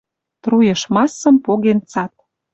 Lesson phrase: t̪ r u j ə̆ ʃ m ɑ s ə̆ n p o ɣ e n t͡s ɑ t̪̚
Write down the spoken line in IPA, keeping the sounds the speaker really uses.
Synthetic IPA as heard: t̪ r u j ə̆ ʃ m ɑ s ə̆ m p o ɣ e n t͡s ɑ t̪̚